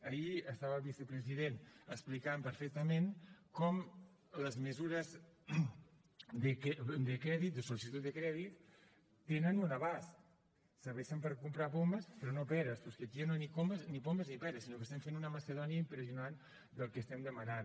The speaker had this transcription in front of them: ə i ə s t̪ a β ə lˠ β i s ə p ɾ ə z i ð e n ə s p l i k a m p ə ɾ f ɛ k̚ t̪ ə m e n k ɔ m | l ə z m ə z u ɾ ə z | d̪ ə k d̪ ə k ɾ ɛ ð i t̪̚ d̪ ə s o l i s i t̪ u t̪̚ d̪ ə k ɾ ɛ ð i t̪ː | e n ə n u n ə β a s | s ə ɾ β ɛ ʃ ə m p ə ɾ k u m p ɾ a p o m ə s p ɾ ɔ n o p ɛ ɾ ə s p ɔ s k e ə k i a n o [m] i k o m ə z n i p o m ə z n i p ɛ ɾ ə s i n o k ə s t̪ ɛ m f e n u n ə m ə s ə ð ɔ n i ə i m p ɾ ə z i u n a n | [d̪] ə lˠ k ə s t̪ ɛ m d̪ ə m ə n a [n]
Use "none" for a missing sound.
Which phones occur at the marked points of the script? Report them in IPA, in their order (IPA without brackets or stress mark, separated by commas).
n, d̪, n